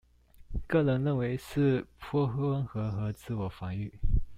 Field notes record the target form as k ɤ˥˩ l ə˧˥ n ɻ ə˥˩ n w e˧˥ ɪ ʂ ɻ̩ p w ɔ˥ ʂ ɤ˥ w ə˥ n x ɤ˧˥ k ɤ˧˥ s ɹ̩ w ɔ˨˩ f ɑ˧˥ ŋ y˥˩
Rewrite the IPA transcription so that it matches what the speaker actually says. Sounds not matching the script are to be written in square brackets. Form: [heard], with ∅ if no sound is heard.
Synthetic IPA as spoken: k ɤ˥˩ l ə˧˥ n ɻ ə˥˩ n w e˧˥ ɪ ʂ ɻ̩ [pʰ] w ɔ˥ [x] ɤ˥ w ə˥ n x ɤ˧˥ [x] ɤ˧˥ [t͡s] ɹ̩ w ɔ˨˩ f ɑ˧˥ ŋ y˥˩

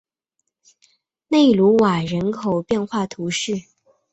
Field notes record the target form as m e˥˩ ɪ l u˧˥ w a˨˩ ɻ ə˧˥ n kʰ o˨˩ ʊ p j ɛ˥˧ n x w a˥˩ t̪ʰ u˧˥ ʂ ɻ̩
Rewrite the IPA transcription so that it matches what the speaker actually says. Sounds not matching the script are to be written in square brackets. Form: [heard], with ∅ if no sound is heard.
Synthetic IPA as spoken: [n] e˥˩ ɪ l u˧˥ w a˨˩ ɻ ə˧˥ n kʰ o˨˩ ʊ p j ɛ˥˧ n x w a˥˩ t̪ʰ u˧˥ ʂ ɻ̩

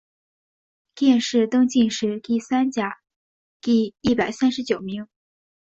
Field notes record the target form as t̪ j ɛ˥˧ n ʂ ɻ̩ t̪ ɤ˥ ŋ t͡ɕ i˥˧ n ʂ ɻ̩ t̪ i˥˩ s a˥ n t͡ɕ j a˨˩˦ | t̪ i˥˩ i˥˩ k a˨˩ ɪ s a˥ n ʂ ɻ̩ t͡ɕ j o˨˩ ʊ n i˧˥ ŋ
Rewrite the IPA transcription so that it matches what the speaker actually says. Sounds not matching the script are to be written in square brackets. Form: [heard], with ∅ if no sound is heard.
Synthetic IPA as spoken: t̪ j ɛ˥˧ n ʂ ɻ̩ t̪ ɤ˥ ŋ t͡ɕ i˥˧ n ʂ ɻ̩ t̪ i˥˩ s a˥ n t͡ɕ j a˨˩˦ | t̪ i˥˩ i˥˩ [p] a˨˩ ɪ s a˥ n ʂ ɻ̩ t͡ɕ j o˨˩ ʊ [m] i˧˥ ŋ

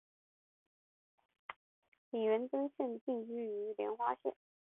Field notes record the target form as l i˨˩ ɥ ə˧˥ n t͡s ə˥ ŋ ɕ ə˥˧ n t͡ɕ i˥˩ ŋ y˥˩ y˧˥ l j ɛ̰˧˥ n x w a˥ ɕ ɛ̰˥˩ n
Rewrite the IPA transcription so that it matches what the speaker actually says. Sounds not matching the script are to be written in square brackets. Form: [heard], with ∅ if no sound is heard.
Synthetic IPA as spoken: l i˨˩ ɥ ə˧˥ n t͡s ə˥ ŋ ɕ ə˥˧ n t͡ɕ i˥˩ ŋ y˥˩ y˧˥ l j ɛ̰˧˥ n x w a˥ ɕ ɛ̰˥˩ n

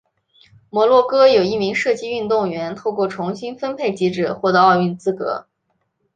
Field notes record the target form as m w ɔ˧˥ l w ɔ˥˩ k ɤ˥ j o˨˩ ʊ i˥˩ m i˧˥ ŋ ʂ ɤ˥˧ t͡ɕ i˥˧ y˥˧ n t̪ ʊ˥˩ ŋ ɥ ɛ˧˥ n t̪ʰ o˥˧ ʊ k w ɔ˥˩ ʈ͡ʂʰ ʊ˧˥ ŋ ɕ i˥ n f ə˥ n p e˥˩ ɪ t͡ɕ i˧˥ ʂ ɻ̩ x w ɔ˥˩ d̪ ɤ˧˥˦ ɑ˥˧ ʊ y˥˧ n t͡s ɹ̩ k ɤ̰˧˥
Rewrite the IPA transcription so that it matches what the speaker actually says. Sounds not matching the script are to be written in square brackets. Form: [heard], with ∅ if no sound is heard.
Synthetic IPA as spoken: m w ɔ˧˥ l w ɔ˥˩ k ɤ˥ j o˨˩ ʊ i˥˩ m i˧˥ ŋ ʂ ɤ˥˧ t͡ɕ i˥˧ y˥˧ n t̪ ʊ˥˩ ŋ ɥ ɛ˧˥ n t̪ʰ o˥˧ ʊ k w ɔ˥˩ ʈ͡ʂʰ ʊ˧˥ ŋ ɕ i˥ n f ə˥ n [pʰ] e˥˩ ɪ t͡ɕ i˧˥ [ʈ͡ʂ] ɻ̩ x w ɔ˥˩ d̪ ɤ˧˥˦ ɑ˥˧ ʊ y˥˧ n t͡s ɹ̩ k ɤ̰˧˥

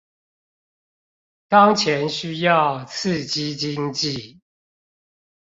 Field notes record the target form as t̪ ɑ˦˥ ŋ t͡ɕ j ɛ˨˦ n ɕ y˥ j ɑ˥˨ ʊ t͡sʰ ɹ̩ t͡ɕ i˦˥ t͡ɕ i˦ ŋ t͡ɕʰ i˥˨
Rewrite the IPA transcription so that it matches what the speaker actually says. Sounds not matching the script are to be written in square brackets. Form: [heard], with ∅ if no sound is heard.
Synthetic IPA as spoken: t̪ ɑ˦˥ ŋ [t͡ɕʰ] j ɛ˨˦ n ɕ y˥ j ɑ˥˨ ʊ t͡sʰ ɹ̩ t͡ɕ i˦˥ t͡ɕ i˦ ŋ [t͡ɕ] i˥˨

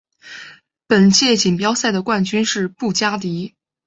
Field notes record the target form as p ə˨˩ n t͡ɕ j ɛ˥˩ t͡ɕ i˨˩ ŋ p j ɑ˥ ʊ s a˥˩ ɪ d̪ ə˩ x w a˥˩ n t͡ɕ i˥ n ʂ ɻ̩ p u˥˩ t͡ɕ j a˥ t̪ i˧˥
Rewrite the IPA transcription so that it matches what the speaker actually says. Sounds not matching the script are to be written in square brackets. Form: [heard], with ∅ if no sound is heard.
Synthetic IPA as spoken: p ə˨˩ n t͡ɕ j ɛ˥˩ t͡ɕ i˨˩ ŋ p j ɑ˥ ʊ s a˥˩ ɪ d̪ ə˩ [k] w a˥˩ n t͡ɕ [y˥] n ʂ ɻ̩ p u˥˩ t͡ɕ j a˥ t̪ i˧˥

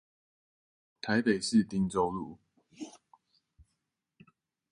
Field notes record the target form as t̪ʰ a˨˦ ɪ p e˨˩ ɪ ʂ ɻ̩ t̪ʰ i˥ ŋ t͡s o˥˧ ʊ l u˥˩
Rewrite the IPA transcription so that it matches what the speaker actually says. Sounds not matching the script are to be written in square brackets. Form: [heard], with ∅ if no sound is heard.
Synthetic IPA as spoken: t̪ʰ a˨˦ ɪ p e˨˩ ɪ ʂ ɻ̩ [t̪] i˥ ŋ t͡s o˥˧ ʊ l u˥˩

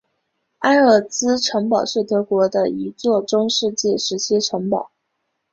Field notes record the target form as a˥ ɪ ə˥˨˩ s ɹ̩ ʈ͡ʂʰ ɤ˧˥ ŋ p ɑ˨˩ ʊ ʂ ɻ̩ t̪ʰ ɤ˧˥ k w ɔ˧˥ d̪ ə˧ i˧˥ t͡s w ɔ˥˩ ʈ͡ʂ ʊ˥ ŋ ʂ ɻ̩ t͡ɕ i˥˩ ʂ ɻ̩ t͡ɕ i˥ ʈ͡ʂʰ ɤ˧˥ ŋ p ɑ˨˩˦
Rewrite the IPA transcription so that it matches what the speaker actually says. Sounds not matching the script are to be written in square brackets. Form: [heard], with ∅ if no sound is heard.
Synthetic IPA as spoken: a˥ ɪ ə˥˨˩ [t͡s] ɹ̩ ʈ͡ʂʰ ɤ˧˥ ŋ p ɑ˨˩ ʊ ʂ ɻ̩ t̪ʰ ɤ˧˥ k w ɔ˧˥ d̪ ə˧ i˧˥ t͡s w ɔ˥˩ ʈ͡ʂ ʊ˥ ŋ ʂ ɻ̩ t͡ɕ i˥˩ ʂ ɻ̩ [t͡ɕʰ] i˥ ʈ͡ʂʰ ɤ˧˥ ŋ p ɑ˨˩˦

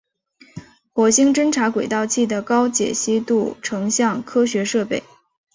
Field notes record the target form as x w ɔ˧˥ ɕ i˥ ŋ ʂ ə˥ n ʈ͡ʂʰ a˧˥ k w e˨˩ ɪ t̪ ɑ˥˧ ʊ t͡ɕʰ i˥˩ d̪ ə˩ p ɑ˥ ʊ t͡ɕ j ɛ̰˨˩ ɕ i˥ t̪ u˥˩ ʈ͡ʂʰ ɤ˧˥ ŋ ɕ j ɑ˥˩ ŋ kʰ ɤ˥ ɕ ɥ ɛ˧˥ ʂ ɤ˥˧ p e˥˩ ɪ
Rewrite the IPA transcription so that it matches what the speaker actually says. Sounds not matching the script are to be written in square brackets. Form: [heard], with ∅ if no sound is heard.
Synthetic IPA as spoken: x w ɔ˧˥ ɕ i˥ ŋ [ʈ͡ʂ] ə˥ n ʈ͡ʂʰ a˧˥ k w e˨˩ ɪ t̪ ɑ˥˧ ʊ t͡ɕʰ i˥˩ d̪ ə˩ [k] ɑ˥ ʊ t͡ɕ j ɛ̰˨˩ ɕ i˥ t̪ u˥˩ ʈ͡ʂʰ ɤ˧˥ ŋ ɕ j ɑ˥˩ ŋ kʰ ɤ˥ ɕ ɥ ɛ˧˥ ʂ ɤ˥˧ p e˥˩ ɪ

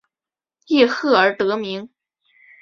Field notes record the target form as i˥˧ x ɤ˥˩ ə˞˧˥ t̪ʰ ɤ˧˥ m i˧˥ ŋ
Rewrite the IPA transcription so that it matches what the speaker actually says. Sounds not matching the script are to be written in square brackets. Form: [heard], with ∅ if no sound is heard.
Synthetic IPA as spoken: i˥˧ x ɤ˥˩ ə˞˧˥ [t̪] ɤ˧˥ m i˧˥ ŋ

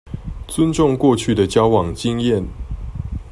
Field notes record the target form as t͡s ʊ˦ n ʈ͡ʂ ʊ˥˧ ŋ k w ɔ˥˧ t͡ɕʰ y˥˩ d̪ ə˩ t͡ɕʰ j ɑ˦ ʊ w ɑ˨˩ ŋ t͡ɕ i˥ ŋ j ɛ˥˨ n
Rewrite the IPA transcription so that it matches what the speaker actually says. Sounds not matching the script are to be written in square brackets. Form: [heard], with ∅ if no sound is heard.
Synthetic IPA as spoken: t͡s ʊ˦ n ʈ͡ʂ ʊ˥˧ ŋ k w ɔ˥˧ t͡ɕʰ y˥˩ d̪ ə˩ [t͡ɕ] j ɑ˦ ʊ w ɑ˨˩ ŋ t͡ɕ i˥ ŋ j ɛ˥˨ n

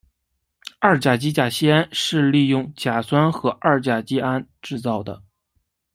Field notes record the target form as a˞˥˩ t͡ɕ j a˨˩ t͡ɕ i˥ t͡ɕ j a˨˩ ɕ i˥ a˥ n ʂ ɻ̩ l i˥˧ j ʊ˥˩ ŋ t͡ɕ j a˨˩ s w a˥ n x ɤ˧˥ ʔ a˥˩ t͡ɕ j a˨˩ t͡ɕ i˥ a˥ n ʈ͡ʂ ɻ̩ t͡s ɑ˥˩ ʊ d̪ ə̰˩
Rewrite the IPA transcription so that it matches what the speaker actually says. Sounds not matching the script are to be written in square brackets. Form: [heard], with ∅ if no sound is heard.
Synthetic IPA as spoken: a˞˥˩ t͡ɕ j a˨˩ t͡ɕ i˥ t͡ɕ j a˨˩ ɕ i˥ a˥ n ʂ ɻ̩ l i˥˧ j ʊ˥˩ ŋ t͡ɕ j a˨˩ s w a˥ n x ɤ˧˥ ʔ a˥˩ t͡ɕ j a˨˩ t͡ɕ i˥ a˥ n ʈ͡ʂ ɻ̩ t͡s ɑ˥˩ ʊ d̪ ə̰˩

